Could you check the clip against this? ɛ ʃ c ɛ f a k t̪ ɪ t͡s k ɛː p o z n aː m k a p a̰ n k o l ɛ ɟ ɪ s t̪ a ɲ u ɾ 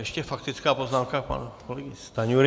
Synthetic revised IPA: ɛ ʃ c ɛ f a k t̪ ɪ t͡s k aː p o z n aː m k a p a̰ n k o l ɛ ɡ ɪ s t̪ a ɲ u ɾ